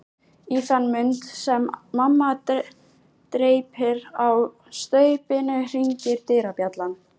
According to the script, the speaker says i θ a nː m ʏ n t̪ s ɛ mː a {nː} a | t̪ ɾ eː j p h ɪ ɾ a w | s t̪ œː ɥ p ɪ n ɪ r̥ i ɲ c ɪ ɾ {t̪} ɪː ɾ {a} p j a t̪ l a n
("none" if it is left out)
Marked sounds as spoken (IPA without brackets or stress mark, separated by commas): mː, t̪, a